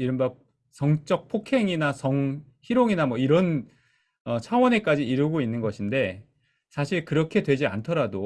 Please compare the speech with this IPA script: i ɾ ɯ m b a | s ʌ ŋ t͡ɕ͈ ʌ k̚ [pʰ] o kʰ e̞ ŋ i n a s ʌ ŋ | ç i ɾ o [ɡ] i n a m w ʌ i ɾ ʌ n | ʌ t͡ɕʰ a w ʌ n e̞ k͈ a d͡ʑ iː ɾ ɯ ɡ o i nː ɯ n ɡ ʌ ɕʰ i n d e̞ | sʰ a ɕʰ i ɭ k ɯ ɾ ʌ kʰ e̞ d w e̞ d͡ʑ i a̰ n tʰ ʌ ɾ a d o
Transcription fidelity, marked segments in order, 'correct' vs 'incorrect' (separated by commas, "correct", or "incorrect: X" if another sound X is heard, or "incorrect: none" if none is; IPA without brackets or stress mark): correct, incorrect: ŋ